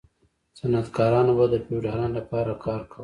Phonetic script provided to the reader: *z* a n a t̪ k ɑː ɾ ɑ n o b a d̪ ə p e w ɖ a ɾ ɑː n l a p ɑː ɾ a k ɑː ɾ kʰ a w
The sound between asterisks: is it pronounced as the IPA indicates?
no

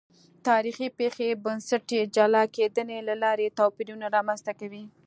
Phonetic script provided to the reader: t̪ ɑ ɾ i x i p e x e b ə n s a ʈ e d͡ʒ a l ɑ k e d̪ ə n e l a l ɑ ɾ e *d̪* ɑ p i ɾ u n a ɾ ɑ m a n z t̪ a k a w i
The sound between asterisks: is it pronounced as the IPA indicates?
no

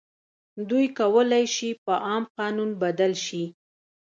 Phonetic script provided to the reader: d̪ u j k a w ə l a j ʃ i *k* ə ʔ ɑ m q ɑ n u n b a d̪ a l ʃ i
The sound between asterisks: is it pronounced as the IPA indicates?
no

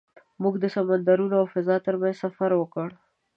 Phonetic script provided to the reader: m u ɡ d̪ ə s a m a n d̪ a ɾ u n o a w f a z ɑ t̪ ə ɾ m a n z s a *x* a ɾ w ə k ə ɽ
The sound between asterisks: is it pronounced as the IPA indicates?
no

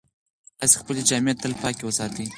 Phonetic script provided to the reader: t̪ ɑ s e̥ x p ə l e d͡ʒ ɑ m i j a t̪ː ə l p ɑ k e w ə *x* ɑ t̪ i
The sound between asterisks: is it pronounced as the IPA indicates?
no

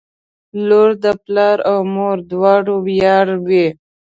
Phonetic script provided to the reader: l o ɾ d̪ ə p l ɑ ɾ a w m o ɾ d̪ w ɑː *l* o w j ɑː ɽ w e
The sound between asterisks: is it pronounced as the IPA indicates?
no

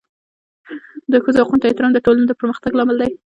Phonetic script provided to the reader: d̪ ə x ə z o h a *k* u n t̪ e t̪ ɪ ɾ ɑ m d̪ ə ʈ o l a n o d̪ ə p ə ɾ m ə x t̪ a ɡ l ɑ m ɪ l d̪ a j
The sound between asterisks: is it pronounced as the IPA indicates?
no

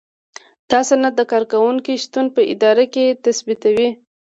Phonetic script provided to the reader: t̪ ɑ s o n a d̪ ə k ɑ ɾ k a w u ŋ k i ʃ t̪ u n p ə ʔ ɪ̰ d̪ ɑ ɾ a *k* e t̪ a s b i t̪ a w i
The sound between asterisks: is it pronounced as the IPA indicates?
yes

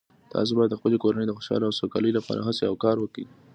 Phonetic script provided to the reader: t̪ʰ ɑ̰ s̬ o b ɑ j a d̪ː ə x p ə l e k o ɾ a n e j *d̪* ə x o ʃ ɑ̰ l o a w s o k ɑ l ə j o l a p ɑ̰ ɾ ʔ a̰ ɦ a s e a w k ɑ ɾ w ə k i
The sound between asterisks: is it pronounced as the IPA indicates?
yes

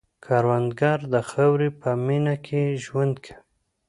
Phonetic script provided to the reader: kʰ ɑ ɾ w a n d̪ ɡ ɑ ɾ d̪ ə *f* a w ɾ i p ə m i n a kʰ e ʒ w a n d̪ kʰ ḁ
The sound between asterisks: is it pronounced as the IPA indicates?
no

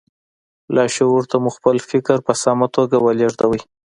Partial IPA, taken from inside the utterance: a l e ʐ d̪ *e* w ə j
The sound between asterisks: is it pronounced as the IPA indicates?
no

